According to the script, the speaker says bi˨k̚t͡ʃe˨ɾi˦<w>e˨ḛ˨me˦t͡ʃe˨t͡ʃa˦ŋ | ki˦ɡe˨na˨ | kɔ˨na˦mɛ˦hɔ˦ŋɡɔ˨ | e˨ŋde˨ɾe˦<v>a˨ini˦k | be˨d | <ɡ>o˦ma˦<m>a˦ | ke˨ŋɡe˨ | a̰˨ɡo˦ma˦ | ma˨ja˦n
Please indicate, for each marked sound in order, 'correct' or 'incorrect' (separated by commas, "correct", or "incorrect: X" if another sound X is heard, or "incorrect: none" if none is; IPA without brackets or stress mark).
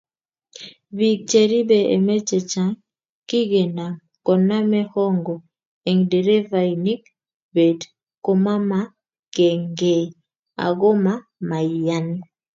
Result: incorrect: b, correct, incorrect: k, correct